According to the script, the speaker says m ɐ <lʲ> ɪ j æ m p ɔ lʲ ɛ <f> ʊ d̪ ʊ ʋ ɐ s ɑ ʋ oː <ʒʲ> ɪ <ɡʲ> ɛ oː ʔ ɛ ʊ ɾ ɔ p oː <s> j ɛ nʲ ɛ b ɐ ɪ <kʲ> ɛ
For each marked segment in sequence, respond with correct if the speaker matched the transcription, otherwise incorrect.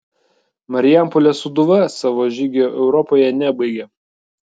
incorrect, incorrect, correct, correct, incorrect, incorrect

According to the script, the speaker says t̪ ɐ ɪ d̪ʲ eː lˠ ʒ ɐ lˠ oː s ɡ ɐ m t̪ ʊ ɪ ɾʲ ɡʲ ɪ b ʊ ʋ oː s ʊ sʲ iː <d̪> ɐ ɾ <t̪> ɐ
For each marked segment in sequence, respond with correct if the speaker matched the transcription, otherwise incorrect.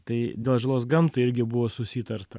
incorrect, correct

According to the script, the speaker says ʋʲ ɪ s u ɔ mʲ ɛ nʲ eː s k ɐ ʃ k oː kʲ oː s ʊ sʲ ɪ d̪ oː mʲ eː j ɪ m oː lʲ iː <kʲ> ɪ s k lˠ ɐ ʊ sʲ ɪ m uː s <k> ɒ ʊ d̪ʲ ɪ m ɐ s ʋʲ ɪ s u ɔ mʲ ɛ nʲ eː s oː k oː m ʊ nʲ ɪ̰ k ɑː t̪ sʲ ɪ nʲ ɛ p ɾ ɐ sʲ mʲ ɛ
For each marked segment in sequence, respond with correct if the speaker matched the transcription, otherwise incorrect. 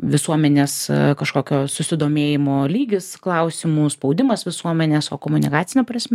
incorrect, incorrect

